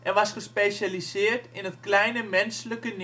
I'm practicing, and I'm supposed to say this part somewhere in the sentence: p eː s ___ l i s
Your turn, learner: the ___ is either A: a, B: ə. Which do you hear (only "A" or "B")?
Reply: A